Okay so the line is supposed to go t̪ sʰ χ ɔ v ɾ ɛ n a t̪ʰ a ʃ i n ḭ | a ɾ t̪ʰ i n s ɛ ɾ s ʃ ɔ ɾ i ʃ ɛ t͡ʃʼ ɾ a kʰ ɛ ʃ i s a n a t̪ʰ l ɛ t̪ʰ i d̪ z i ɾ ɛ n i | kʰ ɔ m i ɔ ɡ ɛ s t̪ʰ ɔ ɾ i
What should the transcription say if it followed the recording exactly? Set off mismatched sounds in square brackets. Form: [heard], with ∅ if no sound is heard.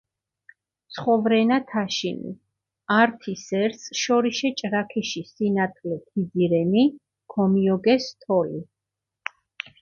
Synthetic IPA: t̪ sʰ χ ɔ v ɾ ɛ n a t̪ʰ a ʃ i n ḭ | a ɾ t̪ʰ i [∅] s ɛ ɾ s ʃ ɔ ɾ i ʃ ɛ t͡ʃʼ ɾ a kʰ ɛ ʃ i s [i] n a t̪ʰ l ɛ t̪ʰ i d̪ z i ɾ ɛ n i | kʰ ɔ m i ɔ ɡ ɛ s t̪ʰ ɔ [l] i